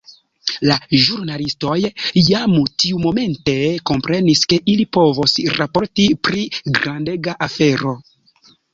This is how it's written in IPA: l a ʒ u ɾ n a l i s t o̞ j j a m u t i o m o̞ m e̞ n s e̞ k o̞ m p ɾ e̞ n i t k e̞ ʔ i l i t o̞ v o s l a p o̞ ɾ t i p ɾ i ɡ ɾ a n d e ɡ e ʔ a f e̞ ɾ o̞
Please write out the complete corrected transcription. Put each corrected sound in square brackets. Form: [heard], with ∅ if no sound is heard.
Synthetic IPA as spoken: l a ʒ u ɾ n a l i s t o̞ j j a m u t i [u] m o̞ m e̞ n [t] e̞ k o̞ m p ɾ e̞ n i [s] k e̞ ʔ i l i [p] o̞ v o s [ɾ] a p o̞ ɾ t i p ɾ i ɡ ɾ a n d e ɡ [a] ʔ a f e̞ ɾ o̞